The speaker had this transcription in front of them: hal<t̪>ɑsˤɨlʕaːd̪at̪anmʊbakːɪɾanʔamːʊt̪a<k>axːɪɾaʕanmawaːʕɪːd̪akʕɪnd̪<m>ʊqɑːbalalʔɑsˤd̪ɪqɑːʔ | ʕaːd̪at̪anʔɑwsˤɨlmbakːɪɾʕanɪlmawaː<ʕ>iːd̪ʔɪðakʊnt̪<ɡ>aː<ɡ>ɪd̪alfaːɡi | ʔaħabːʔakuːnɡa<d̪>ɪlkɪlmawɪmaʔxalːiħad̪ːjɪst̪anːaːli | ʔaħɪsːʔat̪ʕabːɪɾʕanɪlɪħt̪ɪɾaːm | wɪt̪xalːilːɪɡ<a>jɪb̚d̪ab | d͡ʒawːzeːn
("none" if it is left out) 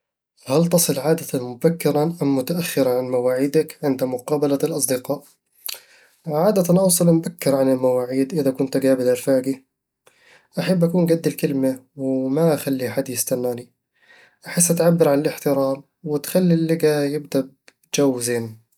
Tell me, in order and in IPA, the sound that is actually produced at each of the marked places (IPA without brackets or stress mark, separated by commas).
t̪, ʔ, m, ʕ, ɡ, b, d̪ː, a